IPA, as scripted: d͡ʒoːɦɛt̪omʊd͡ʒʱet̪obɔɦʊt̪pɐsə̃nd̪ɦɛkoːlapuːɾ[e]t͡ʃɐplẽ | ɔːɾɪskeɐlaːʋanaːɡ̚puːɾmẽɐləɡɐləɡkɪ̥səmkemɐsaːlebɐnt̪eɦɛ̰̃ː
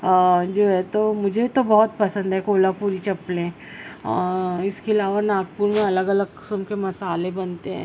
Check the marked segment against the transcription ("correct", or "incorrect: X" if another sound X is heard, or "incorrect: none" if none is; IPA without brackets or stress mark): incorrect: i